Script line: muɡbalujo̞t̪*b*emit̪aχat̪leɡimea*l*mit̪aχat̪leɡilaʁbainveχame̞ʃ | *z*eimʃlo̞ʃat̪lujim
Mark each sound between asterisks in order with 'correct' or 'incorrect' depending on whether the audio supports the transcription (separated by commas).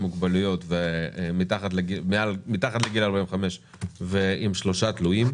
incorrect, correct, incorrect